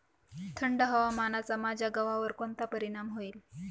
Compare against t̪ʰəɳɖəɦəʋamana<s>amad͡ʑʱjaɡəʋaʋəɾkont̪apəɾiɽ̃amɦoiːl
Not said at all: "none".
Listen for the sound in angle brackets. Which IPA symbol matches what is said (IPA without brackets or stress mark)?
t͡s